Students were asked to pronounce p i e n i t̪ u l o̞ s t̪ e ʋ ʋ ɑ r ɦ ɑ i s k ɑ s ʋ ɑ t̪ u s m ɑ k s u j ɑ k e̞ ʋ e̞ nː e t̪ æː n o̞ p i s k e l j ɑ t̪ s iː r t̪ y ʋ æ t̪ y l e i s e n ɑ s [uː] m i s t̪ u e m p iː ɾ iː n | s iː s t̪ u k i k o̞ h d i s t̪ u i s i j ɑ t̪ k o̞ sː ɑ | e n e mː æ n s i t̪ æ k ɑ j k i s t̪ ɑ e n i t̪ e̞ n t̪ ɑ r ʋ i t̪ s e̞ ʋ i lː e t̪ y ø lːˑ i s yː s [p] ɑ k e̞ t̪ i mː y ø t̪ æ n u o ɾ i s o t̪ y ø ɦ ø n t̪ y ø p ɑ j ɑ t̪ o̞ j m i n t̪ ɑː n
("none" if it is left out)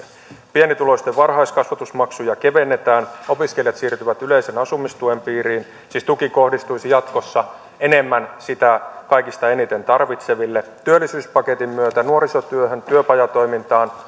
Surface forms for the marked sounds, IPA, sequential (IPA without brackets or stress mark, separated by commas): u, p